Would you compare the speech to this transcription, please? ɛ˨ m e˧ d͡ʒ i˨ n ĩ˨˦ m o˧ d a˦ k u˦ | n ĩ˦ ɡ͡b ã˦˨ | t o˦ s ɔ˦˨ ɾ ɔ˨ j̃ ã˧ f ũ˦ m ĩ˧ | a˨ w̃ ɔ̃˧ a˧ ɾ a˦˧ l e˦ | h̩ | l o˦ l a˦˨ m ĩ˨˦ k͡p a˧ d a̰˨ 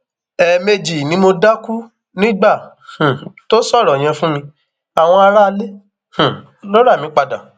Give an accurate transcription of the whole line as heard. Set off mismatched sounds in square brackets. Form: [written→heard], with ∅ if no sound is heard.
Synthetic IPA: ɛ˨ m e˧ d͡ʒ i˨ n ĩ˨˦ m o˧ d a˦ k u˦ | n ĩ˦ ɡ͡b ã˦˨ | t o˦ s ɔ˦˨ ɾ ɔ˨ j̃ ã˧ f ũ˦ m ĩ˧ | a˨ w̃ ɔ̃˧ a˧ ɾ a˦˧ l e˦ | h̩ | l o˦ [l→ɾ] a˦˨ m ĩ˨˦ k͡p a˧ d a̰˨